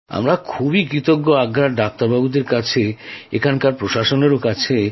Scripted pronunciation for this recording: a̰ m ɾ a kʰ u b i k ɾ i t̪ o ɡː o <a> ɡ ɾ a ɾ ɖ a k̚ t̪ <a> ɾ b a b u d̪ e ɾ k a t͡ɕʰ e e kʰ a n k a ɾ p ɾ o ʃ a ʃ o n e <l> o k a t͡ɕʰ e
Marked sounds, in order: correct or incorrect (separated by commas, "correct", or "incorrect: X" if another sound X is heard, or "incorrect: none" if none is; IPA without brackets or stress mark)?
correct, correct, incorrect: ɾ